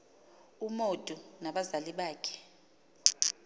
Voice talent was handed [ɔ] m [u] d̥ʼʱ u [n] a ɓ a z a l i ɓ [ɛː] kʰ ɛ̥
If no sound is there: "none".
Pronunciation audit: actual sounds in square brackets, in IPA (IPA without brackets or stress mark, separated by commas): u, o, n, aː